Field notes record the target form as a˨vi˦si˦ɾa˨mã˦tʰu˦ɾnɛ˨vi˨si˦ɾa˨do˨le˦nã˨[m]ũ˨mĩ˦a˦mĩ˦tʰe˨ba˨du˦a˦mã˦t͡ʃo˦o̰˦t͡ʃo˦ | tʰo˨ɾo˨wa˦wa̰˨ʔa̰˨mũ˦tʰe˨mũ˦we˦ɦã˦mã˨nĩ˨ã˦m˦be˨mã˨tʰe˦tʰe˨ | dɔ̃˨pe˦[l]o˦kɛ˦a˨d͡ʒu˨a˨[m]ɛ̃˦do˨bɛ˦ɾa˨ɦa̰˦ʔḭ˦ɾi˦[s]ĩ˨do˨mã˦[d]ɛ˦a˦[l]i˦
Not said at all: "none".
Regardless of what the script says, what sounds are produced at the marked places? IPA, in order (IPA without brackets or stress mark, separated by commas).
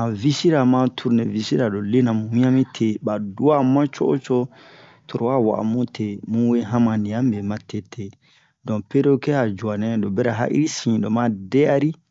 m, ɾ, n, s, d, ɾ